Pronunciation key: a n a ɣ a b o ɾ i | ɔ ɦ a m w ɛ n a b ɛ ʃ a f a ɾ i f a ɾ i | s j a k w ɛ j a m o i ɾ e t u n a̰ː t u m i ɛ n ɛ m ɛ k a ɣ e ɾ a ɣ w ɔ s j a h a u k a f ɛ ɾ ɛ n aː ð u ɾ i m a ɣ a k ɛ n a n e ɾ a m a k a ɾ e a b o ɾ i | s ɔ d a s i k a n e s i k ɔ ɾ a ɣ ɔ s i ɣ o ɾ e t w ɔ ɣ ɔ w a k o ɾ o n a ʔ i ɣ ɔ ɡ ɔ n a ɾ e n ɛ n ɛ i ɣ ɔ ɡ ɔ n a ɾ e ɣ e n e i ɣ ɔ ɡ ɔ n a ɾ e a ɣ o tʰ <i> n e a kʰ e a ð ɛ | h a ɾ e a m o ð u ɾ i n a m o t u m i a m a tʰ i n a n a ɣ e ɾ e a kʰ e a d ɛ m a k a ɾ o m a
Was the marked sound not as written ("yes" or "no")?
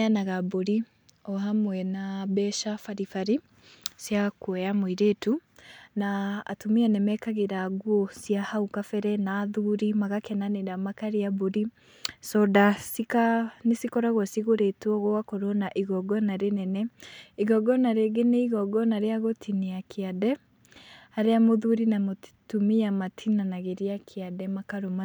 no